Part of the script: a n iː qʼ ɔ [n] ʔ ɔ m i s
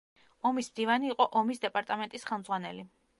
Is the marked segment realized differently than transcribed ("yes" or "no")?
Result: yes